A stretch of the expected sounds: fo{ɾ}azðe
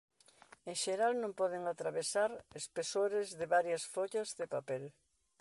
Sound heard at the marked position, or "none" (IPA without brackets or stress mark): ʎ